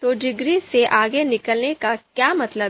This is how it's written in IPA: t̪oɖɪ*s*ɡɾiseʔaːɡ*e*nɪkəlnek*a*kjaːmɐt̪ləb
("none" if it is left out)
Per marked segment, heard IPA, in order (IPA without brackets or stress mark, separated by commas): none, e, a